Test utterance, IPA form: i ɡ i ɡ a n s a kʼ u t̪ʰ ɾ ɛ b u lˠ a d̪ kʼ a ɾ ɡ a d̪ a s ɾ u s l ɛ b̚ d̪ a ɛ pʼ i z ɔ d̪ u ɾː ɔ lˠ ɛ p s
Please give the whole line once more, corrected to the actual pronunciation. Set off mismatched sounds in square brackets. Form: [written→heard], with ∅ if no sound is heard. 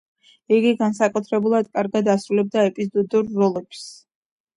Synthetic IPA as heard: i ɡ i ɡ a n s a kʼ u t̪ʰ ɾ ɛ b u lˠ a d̪ kʼ a ɾ ɡ a d̪ a s ɾ u [s→∅] l ɛ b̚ d̪ a ɛ pʼ i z ɔ d̪ u ɾː ɔ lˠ ɛ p s